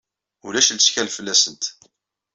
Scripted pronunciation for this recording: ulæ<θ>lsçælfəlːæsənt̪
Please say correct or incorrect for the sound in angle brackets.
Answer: incorrect